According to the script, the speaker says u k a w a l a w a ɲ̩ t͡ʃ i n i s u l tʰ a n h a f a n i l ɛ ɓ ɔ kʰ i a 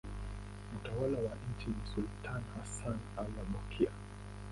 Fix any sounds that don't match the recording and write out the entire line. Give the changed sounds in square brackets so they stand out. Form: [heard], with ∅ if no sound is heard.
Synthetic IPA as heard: u [t] a w a l a w a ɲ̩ t͡ʃ i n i s u l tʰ a n h a [s] a n [a] l [a] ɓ ɔ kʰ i a